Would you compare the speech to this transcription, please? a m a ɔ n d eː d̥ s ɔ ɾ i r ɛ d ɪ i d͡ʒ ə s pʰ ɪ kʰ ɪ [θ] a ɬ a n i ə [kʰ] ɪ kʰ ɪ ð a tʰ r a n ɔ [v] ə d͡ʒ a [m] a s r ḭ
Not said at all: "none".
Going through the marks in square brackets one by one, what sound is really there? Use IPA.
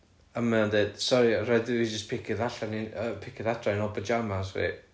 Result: ð, pʰ, b, m

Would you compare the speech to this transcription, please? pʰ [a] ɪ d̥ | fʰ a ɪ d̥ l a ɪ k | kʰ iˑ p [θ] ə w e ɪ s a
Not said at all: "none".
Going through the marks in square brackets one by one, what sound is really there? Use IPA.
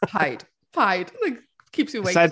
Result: a, s

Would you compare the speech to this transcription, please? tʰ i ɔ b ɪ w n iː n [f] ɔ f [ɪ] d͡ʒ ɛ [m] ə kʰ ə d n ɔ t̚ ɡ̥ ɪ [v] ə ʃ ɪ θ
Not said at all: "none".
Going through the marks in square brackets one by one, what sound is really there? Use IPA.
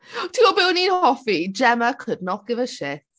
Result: h, i, m, v

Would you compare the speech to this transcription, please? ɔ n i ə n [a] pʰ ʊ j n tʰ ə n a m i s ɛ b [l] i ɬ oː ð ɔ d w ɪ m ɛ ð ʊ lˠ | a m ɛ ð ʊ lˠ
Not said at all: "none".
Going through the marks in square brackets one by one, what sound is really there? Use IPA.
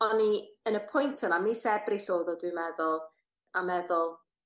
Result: ə, r

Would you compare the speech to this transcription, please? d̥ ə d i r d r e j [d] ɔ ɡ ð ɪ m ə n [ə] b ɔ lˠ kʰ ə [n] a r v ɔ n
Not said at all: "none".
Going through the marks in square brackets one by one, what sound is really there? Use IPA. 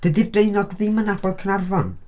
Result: n, a, n

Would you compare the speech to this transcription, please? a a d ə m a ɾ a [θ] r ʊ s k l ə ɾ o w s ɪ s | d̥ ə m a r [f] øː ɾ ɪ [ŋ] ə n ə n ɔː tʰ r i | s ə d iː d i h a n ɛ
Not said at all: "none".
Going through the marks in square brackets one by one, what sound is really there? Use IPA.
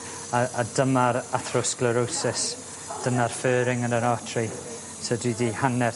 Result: θ, f, ŋ

